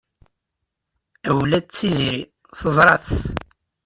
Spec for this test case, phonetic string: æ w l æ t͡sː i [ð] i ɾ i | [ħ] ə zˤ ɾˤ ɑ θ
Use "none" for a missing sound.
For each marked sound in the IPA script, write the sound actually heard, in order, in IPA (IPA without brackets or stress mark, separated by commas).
z, θ